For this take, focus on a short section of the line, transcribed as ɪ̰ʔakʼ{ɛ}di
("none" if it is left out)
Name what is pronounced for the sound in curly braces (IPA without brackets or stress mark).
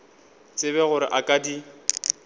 a